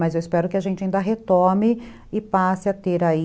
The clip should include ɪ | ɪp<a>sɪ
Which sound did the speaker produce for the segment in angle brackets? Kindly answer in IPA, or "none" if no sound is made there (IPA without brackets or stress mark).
a